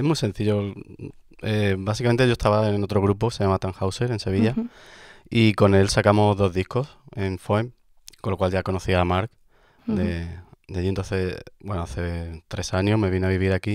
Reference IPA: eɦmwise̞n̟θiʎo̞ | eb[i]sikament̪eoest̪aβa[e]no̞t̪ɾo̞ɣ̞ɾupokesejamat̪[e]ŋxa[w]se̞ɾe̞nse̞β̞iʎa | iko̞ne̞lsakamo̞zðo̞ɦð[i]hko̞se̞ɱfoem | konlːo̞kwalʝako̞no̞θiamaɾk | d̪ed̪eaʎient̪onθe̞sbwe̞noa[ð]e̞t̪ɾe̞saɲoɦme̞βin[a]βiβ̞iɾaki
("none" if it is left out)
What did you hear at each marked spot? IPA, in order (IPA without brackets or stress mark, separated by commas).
a, e, a, w, i, θ, a